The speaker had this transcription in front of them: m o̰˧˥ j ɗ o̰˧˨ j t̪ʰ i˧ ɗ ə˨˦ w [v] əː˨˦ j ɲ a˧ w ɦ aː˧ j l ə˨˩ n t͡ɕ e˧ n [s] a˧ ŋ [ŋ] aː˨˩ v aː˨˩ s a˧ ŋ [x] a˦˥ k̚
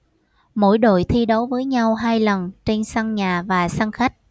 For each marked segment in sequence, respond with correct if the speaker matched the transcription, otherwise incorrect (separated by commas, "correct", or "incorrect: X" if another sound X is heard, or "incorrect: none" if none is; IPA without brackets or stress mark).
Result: correct, correct, incorrect: ɲ, correct